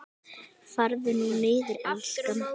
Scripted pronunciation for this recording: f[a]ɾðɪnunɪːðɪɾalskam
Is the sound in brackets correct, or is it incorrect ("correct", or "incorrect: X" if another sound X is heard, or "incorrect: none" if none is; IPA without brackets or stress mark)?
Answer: correct